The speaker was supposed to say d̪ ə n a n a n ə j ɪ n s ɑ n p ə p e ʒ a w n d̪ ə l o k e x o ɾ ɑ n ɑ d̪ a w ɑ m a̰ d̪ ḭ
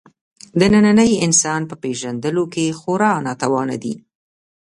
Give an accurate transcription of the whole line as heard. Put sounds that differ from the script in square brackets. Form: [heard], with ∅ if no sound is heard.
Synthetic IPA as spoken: d̪ ə n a n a n ə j ɪ n s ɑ n p ə p e ʒ a [∅] n d̪ ə l o k e x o ɾ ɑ n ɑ [t̪] a w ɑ [n] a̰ d̪ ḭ